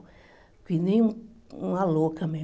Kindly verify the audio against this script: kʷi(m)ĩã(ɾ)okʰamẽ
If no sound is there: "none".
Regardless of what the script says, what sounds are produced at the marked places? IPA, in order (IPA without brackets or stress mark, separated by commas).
n, l